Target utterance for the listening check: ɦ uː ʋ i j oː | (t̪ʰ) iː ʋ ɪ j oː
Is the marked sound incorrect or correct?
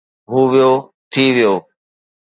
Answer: correct